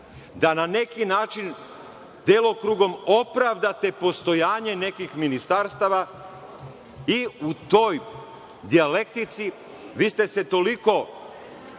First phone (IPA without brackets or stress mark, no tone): d̪